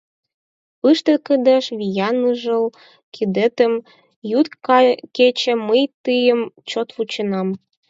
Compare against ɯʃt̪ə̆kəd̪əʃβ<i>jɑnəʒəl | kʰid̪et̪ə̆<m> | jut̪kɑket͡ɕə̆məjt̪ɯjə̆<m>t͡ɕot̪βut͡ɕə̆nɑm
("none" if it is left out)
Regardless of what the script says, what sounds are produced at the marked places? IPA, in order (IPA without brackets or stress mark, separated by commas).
i, m, m